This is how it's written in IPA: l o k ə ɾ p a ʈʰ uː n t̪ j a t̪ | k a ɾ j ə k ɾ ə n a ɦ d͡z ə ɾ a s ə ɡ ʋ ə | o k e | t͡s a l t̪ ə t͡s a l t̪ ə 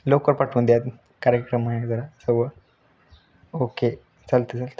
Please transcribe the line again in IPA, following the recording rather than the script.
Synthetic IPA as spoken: l o k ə ɾ p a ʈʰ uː n d̪ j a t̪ | k a ɾ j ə k ɾ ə m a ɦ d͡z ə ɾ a s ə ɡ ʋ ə | o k e | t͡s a l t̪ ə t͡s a l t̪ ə